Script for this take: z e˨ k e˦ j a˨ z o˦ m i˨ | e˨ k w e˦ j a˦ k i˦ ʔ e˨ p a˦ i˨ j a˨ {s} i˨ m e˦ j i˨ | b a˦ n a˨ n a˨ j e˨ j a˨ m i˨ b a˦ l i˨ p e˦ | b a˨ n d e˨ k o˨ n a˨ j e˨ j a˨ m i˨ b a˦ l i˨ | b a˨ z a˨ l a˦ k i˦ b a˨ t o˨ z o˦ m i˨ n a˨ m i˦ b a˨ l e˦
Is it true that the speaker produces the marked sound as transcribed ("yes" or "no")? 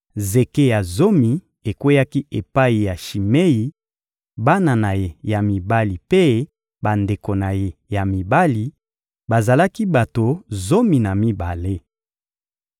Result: no